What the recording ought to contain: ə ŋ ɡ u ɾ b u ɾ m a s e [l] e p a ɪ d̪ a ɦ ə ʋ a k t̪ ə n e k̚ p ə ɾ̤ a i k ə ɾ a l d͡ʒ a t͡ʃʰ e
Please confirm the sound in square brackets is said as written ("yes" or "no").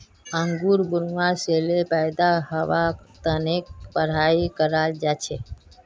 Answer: yes